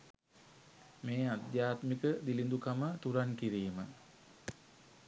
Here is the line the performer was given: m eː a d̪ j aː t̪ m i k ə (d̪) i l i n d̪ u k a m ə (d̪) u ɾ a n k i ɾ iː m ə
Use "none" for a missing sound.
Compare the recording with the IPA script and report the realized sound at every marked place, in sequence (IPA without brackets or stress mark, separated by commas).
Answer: d̪, t̪